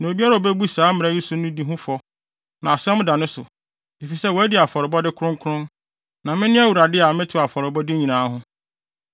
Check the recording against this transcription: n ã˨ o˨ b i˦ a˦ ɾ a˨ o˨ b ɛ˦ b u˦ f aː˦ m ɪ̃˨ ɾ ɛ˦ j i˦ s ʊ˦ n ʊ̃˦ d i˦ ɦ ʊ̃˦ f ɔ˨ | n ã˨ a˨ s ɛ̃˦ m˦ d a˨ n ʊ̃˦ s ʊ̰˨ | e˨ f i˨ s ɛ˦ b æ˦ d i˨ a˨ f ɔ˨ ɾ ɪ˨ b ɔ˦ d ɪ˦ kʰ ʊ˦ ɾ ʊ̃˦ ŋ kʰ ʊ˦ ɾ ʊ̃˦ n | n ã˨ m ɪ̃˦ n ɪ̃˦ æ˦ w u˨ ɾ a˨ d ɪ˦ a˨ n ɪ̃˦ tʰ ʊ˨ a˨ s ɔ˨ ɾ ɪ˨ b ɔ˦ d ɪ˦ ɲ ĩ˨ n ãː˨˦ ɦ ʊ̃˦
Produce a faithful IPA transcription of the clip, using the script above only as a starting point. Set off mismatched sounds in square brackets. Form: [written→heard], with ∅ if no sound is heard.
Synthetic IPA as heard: n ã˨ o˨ b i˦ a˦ ɾ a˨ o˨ b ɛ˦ b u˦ [f→s] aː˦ m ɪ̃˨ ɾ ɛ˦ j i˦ s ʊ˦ n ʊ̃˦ d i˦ ɦ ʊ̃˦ f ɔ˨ | n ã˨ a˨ s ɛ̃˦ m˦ d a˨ n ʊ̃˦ s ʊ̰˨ | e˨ f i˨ s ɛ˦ [b→w] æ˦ d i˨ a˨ f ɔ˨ ɾ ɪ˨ b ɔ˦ d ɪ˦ kʰ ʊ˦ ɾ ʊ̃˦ ŋ kʰ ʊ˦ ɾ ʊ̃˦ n | n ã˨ m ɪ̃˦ n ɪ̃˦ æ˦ w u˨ ɾ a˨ d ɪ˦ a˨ [n→m] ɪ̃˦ tʰ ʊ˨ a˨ [s→f] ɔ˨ ɾ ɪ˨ b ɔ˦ d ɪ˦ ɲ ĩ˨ n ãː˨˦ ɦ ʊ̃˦